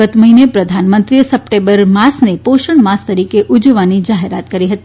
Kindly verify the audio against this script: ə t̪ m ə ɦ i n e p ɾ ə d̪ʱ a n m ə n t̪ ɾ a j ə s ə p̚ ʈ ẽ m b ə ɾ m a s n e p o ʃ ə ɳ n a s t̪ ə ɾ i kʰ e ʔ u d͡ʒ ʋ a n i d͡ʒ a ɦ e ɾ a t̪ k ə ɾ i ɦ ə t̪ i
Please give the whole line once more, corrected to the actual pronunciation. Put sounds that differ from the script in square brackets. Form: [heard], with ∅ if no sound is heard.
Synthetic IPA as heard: ə t̪ m ə ɦ i n e p ɾ ə d̪ʱ a n m ə n t̪ ɾ [i] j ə s ə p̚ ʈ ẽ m b ə ɾ m a s n e p o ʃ ə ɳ [m] a s t̪ ə ɾ i [k] e ʔ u d͡ʒ ʋ a n i d͡ʒ a ɦ e ɾ a t̪ k ə ɾ i ɦ ə t̪ i